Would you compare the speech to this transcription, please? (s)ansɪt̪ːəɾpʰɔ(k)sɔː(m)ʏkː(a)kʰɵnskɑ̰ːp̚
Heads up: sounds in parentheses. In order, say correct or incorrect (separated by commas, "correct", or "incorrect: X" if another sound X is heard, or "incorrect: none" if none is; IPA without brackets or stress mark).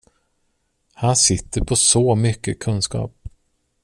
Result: incorrect: h, incorrect: none, correct, incorrect: ə